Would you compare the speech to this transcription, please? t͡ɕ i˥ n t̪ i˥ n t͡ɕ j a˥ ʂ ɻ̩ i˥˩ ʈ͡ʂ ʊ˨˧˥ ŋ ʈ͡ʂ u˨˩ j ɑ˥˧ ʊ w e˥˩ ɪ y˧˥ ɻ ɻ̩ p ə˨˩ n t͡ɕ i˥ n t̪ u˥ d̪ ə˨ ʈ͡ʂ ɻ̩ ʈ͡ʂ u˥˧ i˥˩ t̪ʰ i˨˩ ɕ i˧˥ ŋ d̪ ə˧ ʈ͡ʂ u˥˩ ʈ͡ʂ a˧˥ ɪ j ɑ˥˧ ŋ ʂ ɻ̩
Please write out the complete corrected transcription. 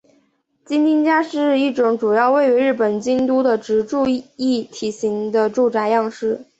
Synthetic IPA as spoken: t͡ɕ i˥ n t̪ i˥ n t͡ɕ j a˥ ʂ ɻ̩ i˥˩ ʈ͡ʂ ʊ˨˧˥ ŋ ʈ͡ʂ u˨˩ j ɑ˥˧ ʊ w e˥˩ ɪ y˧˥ ɻ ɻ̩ p ə˨˩ n t͡ɕ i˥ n t̪ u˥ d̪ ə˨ ʈ͡ʂ ɻ̩ ʈ͡ʂ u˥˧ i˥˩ t̪ʰ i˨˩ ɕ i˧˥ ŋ d̪ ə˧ ʈ͡ʂ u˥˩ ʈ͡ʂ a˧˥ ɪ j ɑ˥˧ ŋ ʂ ɻ̩